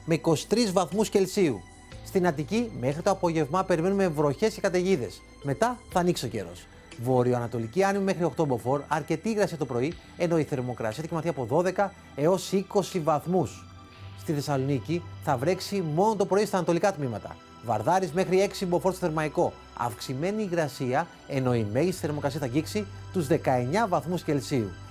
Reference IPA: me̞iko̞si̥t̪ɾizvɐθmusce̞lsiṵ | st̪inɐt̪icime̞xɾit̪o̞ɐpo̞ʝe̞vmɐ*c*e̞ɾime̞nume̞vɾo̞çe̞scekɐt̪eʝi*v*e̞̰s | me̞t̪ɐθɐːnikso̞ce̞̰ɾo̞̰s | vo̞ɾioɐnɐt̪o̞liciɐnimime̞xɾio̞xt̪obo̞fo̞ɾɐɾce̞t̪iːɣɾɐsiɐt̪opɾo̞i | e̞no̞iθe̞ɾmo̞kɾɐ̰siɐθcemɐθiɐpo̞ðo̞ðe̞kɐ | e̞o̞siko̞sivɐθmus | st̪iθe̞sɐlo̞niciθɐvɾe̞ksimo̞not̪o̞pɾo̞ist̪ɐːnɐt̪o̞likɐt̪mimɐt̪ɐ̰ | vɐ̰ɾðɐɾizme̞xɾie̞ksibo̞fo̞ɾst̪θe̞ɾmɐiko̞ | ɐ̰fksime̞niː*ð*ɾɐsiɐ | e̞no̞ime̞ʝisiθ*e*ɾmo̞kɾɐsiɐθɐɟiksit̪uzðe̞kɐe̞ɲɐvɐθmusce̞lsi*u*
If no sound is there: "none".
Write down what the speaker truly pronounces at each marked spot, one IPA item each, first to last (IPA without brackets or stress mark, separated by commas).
p, ð, ɣ, e, u